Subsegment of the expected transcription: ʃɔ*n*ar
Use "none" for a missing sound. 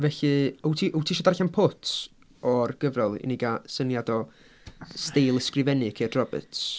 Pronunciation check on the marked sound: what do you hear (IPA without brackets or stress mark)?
d